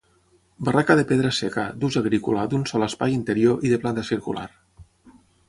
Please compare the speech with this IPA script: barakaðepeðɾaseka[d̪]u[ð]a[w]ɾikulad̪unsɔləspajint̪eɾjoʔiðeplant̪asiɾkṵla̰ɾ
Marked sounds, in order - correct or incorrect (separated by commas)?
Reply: correct, incorrect, incorrect